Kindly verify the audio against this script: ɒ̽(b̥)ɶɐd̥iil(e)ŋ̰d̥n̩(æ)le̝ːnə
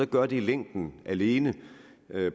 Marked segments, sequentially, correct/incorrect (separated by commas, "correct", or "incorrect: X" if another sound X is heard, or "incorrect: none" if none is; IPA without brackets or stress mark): incorrect: ɡ̥, correct, correct